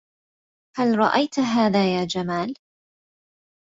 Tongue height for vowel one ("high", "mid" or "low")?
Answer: low